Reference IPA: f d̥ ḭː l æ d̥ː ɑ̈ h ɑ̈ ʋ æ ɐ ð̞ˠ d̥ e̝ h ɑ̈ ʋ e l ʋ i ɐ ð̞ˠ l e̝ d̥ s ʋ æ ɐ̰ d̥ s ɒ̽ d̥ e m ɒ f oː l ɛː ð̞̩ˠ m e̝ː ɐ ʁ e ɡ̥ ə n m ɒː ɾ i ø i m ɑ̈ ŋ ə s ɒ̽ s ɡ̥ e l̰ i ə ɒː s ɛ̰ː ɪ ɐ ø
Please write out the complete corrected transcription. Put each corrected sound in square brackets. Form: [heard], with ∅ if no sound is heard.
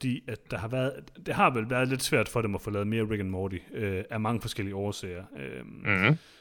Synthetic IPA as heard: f d̥ ḭː [∅] æ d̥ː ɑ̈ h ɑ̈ ʋ æ ɐ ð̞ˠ d̥ e̝ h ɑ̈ ʋ e l ʋ [æ] ɐ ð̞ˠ l e̝ d̥ s ʋ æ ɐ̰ d̥ [f] ɒ̽ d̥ e m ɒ f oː l ɛː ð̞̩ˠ m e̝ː ɐ ʁ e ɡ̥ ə n m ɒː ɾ i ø [æ] m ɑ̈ ŋ ə [f] ɒ̽ s ɡ̥ e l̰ i ə ɒː s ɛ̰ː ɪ ɐ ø